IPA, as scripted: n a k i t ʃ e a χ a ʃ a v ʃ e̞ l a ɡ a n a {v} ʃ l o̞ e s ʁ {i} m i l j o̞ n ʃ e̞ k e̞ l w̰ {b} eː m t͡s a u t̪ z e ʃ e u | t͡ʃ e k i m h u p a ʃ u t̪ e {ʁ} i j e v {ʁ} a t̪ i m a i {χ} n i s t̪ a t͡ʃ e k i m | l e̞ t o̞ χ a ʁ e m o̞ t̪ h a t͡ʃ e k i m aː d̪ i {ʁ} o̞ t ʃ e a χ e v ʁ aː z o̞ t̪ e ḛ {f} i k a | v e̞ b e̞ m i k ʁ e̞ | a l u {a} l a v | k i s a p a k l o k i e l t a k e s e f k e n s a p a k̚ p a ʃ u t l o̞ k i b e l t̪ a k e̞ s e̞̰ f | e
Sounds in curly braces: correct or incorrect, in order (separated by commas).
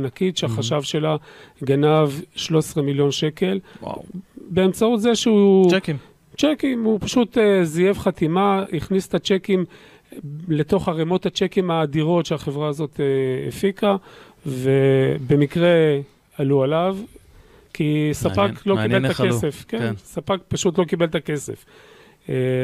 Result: correct, incorrect, correct, incorrect, incorrect, correct, correct, correct, correct